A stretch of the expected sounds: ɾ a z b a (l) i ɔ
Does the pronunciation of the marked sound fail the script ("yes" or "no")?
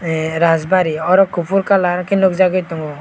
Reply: yes